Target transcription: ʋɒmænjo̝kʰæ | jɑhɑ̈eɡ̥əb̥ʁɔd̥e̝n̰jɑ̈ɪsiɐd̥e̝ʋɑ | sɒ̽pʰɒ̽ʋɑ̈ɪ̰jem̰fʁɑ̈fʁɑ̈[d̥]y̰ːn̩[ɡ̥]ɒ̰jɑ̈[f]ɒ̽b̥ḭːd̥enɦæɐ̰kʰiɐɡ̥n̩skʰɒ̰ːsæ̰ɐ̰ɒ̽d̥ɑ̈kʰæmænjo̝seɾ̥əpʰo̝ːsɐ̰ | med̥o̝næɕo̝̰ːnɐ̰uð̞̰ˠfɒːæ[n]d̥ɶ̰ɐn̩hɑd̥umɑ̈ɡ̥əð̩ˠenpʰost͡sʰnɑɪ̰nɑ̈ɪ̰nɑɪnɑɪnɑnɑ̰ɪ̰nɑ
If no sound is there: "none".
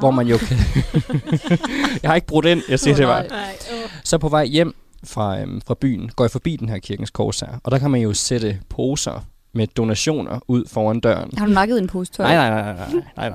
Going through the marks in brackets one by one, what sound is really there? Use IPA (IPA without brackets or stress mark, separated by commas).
b̥, ɡ̥, f, n